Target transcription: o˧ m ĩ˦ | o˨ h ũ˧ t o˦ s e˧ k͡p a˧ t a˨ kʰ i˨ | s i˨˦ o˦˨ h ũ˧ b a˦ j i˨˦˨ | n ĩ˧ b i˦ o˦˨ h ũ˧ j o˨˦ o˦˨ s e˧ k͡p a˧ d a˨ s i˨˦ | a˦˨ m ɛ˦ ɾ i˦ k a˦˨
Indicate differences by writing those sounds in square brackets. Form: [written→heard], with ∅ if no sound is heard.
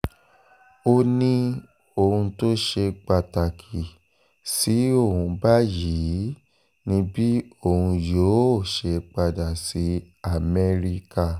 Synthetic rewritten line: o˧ [m→n] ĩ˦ | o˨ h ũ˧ t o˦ [s→ʃ] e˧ k͡p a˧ t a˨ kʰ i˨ | s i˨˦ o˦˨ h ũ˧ b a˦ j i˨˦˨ | n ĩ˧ b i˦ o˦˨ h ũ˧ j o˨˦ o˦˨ [s→ʃ] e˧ k͡p a˧ d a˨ s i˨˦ | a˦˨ m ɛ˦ ɾ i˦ k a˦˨